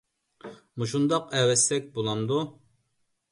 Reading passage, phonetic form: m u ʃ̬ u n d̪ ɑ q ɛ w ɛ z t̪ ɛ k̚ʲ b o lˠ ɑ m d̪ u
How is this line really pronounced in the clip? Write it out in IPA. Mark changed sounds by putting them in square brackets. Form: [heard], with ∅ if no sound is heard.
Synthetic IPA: m u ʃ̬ u n d̪ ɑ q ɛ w ɛ [s] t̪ ɛ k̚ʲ b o lˠ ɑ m d̪ u